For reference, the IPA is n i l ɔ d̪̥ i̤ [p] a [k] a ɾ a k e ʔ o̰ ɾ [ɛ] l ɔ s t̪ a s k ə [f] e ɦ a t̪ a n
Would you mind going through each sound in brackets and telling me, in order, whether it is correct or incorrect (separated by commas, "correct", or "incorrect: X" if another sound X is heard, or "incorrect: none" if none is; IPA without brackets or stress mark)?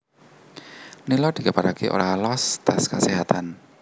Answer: incorrect: k, incorrect: p, incorrect: a, incorrect: s